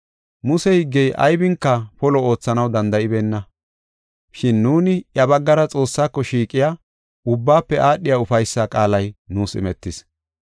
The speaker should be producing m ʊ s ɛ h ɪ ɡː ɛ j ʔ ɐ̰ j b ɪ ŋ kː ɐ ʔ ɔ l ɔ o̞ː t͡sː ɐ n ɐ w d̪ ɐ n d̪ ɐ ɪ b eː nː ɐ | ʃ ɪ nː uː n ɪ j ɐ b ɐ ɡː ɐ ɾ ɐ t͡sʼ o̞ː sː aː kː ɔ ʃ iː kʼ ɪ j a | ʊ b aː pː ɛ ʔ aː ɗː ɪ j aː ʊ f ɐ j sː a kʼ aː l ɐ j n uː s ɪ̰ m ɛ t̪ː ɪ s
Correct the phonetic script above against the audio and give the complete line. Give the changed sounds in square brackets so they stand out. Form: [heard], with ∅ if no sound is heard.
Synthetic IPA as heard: m ʊ s ɛ h ɪ ɡː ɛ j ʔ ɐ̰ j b ɪ ŋ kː ɐ [p] ɔ l ɔ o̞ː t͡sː ɐ n ɐ w d̪ ɐ n d̪ ɐ ɪ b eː nː ɐ | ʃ ɪ nː uː n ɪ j ɐ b ɐ ɡː ɐ ɾ ɐ t͡sʼ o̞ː sː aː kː ɔ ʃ iː kʼ ɪ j a | ʊ [bː] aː pː ɛ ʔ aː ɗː ɪ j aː ʊ f ɐ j sː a kʼ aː l ɐ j n uː s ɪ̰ m ɛ t̪ː ɪ s

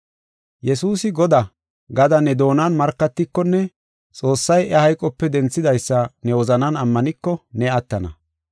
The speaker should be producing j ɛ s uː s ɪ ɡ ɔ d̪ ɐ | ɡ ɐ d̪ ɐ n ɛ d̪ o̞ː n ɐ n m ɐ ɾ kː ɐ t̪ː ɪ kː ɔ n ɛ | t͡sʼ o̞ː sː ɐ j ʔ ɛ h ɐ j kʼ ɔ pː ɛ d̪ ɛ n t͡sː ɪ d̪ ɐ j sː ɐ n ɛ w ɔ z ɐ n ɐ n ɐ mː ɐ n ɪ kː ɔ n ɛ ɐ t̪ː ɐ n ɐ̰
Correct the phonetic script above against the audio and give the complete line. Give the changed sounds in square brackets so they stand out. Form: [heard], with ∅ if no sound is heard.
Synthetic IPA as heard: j ɛ s uː s ɪ ɡ ɔ d̪ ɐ | ɡ ɐ d̪ ɐ n ɛ d̪ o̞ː n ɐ n m ɐ ɾ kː ɐ t̪ː ɪ kː ɔ [nː] ɛ | t͡sʼ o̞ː sː ɐ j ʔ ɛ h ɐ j kʼ ɔ pː ɛ d̪ ɛ n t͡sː ɪ d̪ ɐ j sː ɐ n ɛ w ɔ z ɐ n ɐ n ɐ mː ɐ n ɪ kː ɔ n ɛ ɐ t̪ː ɐ n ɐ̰

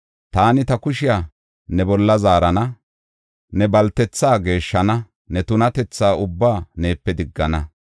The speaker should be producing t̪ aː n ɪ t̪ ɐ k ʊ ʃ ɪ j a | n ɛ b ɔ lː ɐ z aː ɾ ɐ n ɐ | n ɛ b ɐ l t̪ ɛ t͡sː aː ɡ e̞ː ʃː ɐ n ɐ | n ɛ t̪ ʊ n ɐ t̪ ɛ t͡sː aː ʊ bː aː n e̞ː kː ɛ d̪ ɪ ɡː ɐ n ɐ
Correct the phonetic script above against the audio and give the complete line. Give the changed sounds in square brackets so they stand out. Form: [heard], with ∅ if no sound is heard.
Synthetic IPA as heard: t̪ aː n ɪ t̪ ɐ k ʊ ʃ ɪ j a | n ɛ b ɔ lː ɐ z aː ɾ ɐ n ɐ | n ɛ b ɐ l t̪ ɛ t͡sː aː ɡ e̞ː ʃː ɐ n ɐ | n ɛ t̪ ʊ n ɐ t̪ ɛ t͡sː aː ʊ bː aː n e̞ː [pː] ɛ d̪ ɪ ɡː ɐ n ɐ

